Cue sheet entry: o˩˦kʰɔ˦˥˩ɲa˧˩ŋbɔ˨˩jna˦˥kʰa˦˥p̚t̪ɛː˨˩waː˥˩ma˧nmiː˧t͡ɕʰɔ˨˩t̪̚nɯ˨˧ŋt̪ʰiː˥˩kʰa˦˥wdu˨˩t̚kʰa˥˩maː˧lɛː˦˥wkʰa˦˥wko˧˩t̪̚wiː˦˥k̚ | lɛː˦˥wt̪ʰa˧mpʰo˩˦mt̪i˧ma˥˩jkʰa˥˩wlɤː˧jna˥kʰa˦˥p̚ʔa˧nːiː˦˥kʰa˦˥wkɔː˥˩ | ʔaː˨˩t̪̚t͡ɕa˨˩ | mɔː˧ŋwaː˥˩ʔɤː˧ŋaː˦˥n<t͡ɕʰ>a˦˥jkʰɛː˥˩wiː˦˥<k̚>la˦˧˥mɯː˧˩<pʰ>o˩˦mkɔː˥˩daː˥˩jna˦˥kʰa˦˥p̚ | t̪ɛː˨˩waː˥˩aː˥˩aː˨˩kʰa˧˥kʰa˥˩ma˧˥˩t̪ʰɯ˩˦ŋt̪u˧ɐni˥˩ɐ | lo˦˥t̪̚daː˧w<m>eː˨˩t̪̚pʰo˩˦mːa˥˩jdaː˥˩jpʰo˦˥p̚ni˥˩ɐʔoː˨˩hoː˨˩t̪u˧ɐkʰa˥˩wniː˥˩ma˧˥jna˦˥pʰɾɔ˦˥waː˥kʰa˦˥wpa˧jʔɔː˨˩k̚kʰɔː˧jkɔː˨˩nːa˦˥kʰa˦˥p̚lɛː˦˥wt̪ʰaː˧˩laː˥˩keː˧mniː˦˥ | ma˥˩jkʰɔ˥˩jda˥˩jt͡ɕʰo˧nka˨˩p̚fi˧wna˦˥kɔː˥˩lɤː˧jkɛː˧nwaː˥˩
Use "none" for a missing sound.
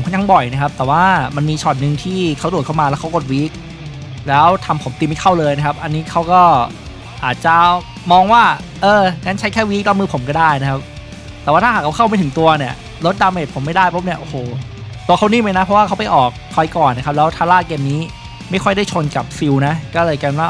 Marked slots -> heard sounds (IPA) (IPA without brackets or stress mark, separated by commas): t͡ɕʰ, k̚, pʰ, m